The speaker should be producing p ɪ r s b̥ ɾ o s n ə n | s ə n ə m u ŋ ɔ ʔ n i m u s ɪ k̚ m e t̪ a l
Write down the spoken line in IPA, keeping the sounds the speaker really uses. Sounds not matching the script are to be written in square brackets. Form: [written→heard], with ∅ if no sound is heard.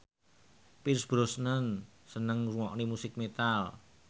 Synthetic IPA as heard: p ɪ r s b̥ ɾ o s n ə n | s ə n ə [m→ŋ] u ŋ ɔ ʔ n i m u s ɪ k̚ m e t̪ a l